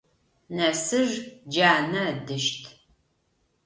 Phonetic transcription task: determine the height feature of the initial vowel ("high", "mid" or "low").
low